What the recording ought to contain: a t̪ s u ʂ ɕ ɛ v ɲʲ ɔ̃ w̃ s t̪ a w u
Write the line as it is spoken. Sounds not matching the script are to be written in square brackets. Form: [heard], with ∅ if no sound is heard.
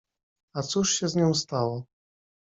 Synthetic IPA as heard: a t̪ s u ʂ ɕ ɛ [z] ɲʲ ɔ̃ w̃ s t̪ a w [ɔ]